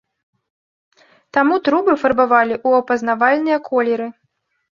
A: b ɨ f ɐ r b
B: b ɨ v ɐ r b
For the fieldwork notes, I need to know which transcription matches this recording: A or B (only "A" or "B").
A